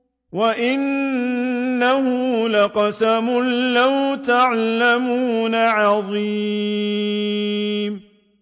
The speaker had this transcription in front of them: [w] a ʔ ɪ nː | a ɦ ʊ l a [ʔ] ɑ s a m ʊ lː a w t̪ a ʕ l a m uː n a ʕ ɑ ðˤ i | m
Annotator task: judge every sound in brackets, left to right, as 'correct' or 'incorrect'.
correct, incorrect

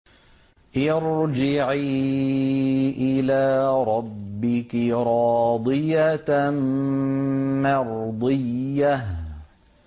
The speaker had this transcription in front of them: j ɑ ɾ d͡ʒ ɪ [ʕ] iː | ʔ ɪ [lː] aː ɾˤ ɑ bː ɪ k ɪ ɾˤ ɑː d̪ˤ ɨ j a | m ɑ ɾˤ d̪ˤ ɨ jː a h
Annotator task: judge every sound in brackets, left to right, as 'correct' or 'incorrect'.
correct, incorrect

